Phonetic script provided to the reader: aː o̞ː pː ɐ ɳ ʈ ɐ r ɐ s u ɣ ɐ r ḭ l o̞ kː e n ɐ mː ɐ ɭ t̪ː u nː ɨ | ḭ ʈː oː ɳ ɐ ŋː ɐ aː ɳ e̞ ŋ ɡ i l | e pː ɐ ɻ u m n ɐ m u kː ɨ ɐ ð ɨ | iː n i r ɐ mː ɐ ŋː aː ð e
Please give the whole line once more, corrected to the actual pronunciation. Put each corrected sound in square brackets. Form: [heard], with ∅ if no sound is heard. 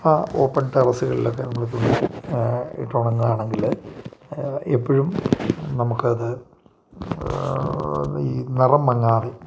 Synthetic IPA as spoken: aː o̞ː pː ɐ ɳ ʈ ɐ r ɐ s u ɣ ɐ [ɭ] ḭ l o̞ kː e n ɐ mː ɐ ɭ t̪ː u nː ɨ | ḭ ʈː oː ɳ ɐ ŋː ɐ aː ɳ e̞ ŋ ɡ i l | e pː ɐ ɻ u m n ɐ m u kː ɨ ɐ ð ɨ | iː n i r ɐ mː ɐ ŋː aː ð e